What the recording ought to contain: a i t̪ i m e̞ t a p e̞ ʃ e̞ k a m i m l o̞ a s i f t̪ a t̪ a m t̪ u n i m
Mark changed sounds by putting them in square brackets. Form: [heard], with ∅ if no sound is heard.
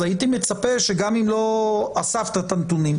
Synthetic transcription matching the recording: a i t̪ i m e̞ [t͡s] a p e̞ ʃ e̞ [ɡ] a m i m l o̞ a s [a] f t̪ a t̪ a [n] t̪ u n i m